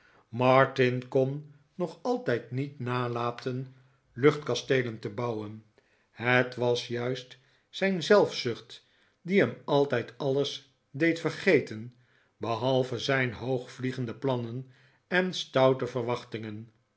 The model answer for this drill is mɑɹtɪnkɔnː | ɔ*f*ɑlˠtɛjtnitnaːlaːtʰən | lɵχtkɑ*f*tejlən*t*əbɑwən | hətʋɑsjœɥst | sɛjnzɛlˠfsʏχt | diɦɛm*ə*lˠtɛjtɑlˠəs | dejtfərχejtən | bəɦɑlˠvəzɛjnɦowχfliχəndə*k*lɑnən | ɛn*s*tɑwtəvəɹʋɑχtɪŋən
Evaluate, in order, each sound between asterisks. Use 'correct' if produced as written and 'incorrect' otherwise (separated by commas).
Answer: incorrect, incorrect, correct, incorrect, incorrect, correct